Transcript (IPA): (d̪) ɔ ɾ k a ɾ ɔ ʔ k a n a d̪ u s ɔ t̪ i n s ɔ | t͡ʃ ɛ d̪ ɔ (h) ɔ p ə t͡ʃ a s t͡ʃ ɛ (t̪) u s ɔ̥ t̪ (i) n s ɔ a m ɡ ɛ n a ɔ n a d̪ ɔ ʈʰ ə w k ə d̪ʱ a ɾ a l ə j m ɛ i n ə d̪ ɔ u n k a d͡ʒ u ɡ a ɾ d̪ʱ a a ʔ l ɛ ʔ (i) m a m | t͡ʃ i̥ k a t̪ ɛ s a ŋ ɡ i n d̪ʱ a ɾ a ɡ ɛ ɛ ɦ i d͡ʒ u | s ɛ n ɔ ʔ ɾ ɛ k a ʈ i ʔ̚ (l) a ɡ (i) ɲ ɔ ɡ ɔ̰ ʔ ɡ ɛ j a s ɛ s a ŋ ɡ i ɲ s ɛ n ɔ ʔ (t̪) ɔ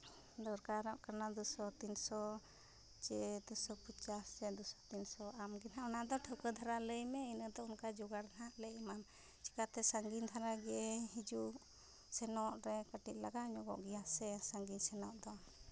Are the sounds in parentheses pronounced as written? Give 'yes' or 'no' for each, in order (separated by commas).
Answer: yes, no, no, yes, yes, yes, no, no